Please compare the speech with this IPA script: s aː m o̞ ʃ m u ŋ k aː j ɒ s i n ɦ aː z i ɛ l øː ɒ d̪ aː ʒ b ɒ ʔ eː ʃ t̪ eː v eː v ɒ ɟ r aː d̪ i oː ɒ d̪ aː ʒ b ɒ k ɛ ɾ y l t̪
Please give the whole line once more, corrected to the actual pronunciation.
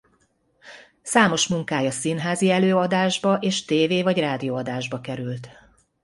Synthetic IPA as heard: s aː m o̞ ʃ m u ŋ k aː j ɒ s i n ɦ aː z i ɛ l øː ɒ d̪ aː ʒ b ɒ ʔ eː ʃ t̪ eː v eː v ɒ ɟ r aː d̪ i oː ɒ d̪ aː ʒ b ɒ k ɛ ɾ y l t̪